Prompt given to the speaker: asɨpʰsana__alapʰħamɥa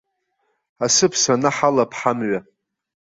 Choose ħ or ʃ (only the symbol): ħ